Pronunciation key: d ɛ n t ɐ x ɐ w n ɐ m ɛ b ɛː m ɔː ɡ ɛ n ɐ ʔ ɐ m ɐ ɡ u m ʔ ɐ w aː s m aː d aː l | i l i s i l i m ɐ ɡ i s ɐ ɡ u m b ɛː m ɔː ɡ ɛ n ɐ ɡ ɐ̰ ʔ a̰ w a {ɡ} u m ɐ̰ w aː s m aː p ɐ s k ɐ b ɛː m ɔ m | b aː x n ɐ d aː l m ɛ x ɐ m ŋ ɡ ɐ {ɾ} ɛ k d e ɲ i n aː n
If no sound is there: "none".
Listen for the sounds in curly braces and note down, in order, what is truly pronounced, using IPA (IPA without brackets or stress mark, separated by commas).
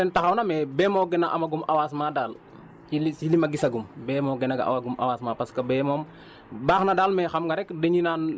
ɡ, ɾ